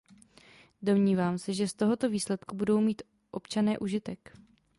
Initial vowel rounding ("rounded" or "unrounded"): rounded